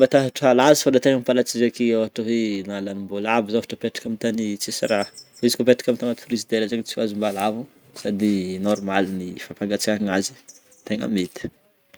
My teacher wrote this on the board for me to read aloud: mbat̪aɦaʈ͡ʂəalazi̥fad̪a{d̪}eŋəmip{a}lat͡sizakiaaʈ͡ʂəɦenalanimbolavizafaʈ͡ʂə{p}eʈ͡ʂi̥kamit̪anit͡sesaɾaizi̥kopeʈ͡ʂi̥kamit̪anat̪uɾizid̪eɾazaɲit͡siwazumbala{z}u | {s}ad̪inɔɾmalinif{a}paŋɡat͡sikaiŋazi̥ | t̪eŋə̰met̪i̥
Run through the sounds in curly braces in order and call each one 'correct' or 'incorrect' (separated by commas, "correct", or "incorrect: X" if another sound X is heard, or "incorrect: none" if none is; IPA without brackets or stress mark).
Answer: incorrect: t̪, correct, correct, incorrect: v, correct, correct